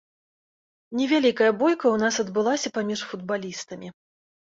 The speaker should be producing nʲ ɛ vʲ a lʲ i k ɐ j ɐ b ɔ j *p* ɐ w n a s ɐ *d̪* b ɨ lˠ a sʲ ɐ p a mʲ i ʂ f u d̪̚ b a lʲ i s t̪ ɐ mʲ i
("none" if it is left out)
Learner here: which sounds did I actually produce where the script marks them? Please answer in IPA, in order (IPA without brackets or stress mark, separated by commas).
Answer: k, d̪